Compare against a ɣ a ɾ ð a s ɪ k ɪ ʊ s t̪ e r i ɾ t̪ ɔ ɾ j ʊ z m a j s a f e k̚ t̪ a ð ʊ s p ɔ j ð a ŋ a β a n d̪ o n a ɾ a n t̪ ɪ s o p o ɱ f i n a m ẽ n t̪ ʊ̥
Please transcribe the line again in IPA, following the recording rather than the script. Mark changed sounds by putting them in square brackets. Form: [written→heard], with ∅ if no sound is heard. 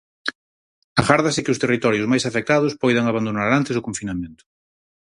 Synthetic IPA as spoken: a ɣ a ɾ ð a s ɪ k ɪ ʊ s t̪ e r i [ɾ→∅] t̪ ɔ ɾ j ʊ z m a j s a f e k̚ t̪ a ð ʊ s p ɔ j ð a ŋ a β a n d̪ o n a ɾ a n t̪ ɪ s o [p→k] o ɱ f i n a m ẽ n t̪ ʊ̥

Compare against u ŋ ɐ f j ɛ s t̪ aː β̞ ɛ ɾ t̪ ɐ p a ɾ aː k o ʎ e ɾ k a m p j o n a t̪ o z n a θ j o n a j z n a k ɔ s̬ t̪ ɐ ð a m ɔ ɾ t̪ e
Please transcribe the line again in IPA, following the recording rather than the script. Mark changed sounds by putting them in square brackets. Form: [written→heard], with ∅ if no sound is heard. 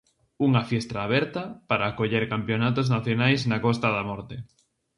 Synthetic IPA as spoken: u ŋ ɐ f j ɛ s t̪ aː β̞ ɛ ɾ t̪ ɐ p a ɾ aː k o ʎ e ɾ k a m p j o n a t̪ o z n a θ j o n a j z n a k ɔ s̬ t̪ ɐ ð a m ɔ ɾ t̪ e

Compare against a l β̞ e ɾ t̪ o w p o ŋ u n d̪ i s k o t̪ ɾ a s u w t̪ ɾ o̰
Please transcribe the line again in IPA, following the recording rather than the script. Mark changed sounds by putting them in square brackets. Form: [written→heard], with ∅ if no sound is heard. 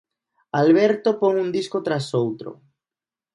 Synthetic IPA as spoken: a l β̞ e ɾ t̪ o [w→∅] p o ŋ u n d̪ i s k o t̪ ɾ a s [u→o] w t̪ ɾ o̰

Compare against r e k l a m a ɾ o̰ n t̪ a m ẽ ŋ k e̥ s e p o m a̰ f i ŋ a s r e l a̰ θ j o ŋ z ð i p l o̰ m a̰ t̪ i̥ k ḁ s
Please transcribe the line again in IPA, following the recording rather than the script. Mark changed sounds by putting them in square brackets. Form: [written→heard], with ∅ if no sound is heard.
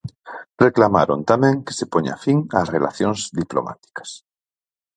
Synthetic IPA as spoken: r e k l a m a ɾ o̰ n t̪ a m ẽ ŋ k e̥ s e p o [m→ɲ] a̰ f i ŋ a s r e l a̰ θ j o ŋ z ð i p l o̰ m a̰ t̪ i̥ k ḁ s

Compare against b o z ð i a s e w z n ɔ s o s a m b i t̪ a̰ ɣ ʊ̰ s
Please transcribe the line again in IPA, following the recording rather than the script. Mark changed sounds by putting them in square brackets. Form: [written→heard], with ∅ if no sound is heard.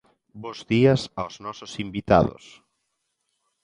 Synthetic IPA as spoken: b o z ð i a s [e→a] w z n ɔ s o s [a→i] m b i t̪ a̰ [ɣ→ð] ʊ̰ s

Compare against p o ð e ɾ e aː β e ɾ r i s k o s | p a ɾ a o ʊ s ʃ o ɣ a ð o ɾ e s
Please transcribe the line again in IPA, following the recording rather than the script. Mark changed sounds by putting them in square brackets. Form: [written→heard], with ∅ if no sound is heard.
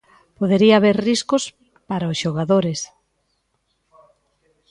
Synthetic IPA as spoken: p o ð e ɾ [e→i] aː β e ɾ r i s k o s | p a ɾ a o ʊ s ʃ o ɣ a ð o ɾ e s

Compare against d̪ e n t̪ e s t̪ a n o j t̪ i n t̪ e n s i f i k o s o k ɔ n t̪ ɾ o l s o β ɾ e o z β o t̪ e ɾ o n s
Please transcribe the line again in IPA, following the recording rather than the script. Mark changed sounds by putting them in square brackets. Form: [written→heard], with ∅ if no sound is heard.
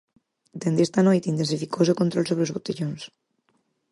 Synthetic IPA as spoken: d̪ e n [t̪→d̪] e s t̪ a n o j t̪ i n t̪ e n s i f i k o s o k [ɔ→o] n t̪ ɾ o l s o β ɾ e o z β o t̪ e [ɾ→ʎ] o n s

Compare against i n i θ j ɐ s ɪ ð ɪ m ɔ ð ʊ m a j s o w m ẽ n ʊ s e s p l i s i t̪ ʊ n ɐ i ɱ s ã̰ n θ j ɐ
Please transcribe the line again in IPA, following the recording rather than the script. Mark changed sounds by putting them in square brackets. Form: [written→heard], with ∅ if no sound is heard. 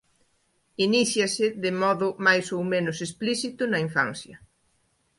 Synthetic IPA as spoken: i n i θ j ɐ s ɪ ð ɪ m ɔ ð ʊ m a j s o w m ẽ n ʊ s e s p l i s i t̪ ʊ n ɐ i ɱ [s→f] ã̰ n θ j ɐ

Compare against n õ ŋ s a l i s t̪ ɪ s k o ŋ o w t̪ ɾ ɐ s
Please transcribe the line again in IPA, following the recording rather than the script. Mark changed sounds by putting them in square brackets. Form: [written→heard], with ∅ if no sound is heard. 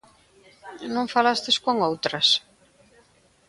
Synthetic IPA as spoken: n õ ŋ [s→f] a l [i→a] s t̪ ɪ s k o ŋ o w t̪ ɾ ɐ s

